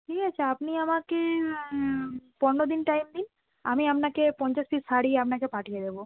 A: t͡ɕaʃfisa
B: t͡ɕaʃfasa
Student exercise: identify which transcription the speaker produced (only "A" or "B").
A